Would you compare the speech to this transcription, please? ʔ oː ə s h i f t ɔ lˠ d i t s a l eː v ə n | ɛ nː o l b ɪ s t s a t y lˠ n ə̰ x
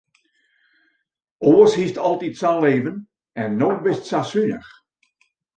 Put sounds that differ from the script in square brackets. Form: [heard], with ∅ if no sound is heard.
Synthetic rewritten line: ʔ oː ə s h i [s] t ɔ lˠ [t] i t s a l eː v ə n | ɛ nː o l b ɪ s t s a [s] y [∅] n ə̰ x